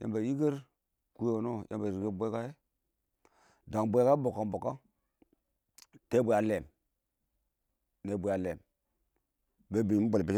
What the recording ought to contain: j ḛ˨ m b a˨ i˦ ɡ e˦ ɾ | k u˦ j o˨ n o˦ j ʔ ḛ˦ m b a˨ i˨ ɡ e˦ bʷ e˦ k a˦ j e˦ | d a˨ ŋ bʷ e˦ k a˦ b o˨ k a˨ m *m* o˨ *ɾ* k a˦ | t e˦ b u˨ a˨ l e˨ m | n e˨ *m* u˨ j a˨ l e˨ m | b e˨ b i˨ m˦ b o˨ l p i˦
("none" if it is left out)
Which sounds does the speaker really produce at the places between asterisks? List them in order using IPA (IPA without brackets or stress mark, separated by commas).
b, none, b